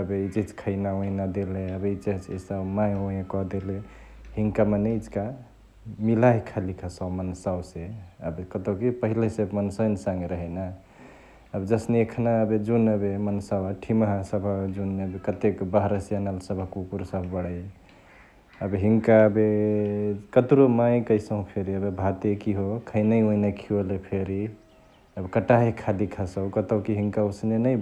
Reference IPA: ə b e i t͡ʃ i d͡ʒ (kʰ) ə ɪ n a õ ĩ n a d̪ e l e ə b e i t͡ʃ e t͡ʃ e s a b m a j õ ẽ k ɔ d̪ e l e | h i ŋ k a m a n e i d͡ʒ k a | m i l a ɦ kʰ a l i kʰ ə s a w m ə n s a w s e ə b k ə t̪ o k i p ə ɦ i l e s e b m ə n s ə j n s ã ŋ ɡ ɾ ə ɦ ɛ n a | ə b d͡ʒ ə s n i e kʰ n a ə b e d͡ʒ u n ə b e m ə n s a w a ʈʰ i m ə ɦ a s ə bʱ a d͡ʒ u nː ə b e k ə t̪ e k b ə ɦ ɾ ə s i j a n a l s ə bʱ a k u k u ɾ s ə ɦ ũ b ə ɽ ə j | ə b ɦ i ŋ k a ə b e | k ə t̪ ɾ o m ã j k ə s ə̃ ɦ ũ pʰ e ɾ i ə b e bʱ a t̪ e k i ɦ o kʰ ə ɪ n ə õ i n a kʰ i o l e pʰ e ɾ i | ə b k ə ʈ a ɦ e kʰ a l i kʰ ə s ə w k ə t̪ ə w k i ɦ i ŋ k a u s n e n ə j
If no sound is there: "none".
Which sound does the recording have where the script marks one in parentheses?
kʰ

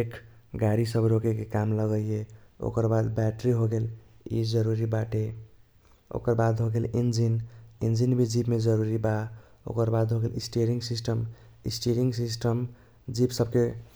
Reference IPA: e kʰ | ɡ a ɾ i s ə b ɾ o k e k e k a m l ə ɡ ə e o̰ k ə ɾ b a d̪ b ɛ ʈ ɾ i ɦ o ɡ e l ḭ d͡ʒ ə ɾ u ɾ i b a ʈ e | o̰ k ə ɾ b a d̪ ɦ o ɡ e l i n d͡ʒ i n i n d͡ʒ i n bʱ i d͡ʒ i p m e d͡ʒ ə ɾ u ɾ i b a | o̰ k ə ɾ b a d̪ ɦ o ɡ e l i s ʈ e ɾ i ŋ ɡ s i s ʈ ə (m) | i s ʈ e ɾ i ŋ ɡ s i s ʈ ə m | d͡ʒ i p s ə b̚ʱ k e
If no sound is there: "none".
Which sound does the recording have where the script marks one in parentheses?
m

